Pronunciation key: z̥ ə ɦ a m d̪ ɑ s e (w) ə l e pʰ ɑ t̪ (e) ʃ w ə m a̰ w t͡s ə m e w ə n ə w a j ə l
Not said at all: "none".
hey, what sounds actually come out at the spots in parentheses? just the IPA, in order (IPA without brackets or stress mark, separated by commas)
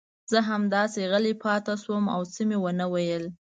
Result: ɣ, a